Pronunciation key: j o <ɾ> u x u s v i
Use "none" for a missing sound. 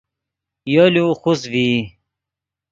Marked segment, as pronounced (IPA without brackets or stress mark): l